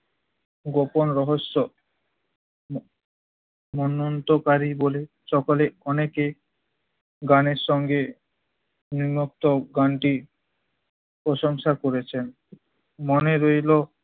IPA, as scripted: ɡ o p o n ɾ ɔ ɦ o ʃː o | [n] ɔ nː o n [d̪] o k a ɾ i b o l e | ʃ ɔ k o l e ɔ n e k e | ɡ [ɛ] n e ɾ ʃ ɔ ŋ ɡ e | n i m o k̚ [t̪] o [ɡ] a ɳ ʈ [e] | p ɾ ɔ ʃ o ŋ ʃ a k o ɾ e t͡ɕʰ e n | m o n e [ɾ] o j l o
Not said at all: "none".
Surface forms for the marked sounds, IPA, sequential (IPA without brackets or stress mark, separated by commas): m, t̪, a, t̪, ɡ, i, ɾ